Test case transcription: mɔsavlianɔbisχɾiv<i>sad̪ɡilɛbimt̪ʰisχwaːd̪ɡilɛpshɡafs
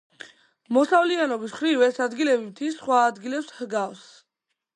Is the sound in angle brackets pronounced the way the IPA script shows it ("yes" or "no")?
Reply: no